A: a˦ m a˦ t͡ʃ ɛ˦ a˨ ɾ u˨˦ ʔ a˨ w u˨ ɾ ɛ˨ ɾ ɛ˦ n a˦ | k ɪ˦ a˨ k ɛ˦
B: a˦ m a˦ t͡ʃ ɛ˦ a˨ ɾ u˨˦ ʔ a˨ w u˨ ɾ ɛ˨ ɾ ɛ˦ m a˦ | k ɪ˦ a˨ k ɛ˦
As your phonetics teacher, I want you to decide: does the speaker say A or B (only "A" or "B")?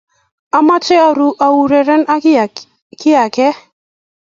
A